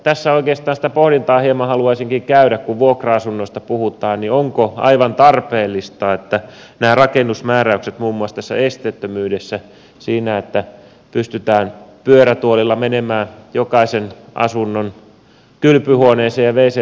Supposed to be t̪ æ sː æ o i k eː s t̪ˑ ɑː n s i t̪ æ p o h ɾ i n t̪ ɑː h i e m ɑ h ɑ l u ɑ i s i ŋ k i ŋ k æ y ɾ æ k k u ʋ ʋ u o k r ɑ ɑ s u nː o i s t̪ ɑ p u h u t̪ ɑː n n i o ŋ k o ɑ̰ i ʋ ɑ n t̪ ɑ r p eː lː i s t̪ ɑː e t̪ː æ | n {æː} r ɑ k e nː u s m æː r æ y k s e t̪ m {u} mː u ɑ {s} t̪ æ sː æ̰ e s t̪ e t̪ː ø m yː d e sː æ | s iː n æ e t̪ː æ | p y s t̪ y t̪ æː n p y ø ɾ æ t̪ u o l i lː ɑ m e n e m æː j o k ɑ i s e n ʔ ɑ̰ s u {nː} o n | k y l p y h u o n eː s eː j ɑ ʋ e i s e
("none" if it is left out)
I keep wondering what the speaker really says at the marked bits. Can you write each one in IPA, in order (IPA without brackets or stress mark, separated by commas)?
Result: æː, uː, s, nː